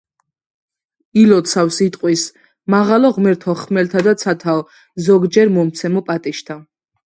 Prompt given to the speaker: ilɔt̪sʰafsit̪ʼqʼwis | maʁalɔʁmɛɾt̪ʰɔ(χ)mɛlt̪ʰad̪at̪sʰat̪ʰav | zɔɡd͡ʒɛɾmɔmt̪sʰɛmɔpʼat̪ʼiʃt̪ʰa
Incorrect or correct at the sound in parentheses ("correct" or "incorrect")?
correct